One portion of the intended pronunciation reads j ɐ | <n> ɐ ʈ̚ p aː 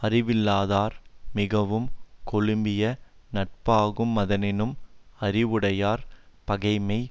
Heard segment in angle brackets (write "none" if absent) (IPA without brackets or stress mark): n